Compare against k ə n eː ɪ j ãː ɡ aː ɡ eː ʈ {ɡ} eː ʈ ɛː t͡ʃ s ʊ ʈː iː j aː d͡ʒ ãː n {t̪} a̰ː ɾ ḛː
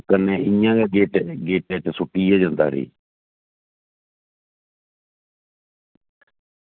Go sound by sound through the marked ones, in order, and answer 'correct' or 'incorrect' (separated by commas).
correct, incorrect